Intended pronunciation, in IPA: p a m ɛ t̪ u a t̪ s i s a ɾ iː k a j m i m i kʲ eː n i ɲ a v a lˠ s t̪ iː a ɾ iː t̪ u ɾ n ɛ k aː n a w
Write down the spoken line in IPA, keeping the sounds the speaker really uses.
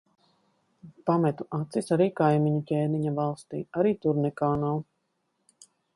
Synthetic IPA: p a m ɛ t̪ u a t̪ s i s a ɾ iː k a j m i ɲ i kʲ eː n i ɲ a v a lˠ s t̪ iː a ɾ iː t̪ u ɾ n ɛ k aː n a w

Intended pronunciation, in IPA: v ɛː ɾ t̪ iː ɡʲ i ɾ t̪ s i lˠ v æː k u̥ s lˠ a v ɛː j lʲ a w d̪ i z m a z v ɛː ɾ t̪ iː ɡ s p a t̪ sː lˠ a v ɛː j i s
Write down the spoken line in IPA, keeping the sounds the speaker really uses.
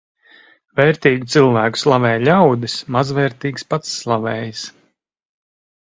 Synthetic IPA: v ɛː ɾ t̪ iː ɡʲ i t̪ s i lˠ v æː k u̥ s lˠ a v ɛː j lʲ a w d̪ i s m a z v ɛː ɾ t̪ iː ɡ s p a t̪ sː lˠ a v ɛː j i s

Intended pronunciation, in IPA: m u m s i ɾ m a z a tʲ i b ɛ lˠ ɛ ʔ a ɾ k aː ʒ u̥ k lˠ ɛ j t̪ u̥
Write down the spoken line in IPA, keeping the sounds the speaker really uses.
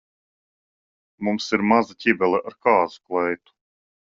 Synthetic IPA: m u m s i ɾ m a z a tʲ i b ɛ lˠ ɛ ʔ a ɾ k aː z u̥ k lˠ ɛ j t̪ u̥

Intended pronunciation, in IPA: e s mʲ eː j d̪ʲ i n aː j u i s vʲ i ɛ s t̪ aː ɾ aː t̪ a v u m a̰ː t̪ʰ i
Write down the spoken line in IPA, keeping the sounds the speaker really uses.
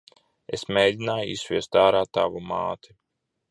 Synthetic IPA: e s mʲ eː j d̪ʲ i n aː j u i s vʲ i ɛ s t̪ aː ɾ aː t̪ a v u m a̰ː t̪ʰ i

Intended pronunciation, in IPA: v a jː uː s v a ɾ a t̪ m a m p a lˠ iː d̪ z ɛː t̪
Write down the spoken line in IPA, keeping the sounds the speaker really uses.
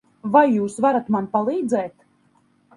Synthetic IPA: v a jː uː s v a ɾ a t̪ m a n p a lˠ iː d̪ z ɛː t̪

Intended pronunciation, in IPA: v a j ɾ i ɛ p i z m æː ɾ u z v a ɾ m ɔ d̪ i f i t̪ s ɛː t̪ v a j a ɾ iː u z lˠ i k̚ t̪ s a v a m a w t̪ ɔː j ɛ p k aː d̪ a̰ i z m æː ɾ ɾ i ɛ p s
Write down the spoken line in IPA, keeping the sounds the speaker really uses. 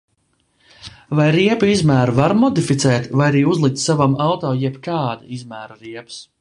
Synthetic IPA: v a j ɾ i ɛ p i z m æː ɾ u v a ɾ m ɔ d̪ i f i t̪ s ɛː t̪ v a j a ɾ iː u z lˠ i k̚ t̪ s a v a m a w t̪ ɔː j ɛ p k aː d̪ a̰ i z m æː ɾ ɾ i ɛ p s

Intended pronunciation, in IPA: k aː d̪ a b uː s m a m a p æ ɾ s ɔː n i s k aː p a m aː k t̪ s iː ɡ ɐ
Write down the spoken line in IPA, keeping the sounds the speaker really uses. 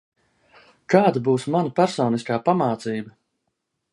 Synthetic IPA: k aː d̪ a b uː s m a n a p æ ɾ s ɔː n i s k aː p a m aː t̪ s iː b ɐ

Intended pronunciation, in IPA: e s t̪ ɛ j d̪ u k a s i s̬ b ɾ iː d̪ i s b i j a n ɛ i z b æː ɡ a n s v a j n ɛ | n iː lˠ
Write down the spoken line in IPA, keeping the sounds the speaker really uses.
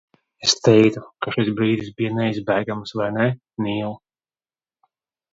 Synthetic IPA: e s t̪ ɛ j t̪ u k a ʃ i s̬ b ɾ iː d̪ i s b i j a n ɛ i z b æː ɡ a m s v a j n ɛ | n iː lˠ

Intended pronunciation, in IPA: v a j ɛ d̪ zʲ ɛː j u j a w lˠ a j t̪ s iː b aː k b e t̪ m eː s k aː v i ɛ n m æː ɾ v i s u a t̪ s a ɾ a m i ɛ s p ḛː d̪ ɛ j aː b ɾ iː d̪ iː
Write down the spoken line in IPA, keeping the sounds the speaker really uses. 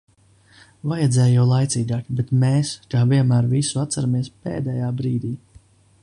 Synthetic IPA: v a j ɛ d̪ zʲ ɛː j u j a w lˠ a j t̪ s iː ɡ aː k b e t̪ m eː s k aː v i ɛ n m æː ɾ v i s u a t̪ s a ɾ a m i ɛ s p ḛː d̪ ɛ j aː b ɾ iː d̪ iː

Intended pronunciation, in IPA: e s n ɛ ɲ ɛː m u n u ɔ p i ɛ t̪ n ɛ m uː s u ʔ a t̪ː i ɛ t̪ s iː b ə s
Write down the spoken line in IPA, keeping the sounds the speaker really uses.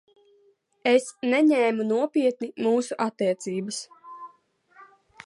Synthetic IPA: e s n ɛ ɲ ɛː m u n u ɔ p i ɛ t̪ n i m uː s u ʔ a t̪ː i ɛ t̪ s iː b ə s

